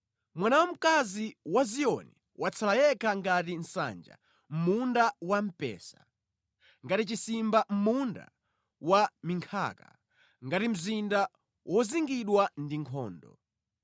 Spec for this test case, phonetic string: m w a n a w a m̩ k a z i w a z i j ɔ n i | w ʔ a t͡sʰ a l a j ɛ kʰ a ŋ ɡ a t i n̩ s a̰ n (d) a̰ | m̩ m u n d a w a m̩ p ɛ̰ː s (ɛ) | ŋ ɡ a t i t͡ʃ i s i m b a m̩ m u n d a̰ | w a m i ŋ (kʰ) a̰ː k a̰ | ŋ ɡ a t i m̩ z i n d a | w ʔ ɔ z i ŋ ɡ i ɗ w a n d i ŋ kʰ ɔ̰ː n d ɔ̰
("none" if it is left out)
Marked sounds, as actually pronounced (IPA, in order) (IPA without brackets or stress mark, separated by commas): d͡ʒ, a, kʰ